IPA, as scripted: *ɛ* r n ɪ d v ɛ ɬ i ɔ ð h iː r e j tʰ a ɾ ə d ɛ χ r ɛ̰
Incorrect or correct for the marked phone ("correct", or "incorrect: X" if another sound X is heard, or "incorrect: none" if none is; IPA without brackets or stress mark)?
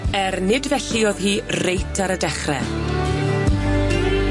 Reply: correct